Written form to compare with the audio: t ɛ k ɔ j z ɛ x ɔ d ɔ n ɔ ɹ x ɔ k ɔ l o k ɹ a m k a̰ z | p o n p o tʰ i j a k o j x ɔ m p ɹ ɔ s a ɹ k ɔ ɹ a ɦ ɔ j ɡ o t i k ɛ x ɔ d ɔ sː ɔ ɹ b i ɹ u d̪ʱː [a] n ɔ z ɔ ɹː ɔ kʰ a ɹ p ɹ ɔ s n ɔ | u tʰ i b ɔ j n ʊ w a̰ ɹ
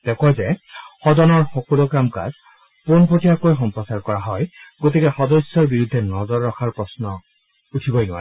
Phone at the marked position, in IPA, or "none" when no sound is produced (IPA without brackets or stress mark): ɛ